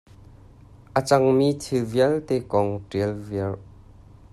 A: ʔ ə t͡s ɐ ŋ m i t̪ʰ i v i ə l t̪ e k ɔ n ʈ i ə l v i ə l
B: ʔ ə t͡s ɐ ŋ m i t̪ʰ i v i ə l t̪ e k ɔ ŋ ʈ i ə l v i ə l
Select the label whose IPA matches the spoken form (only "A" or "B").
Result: B